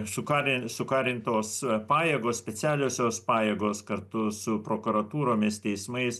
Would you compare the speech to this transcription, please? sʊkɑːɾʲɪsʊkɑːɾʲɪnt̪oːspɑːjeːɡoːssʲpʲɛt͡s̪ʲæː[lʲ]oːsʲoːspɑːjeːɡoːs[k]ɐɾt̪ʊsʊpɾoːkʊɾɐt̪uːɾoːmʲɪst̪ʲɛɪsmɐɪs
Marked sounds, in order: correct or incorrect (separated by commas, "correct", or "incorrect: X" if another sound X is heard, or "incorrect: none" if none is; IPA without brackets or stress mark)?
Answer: correct, correct